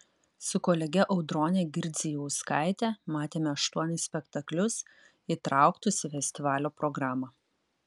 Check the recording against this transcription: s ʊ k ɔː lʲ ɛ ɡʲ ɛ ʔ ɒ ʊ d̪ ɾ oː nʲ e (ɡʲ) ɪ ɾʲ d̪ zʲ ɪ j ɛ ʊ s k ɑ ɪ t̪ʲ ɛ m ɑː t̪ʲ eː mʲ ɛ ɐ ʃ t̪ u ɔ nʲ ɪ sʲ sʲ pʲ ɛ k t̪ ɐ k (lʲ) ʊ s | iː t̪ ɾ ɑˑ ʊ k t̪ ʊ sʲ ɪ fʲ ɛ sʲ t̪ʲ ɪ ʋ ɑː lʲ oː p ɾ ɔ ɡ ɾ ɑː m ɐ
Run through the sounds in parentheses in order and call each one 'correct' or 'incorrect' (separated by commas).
correct, correct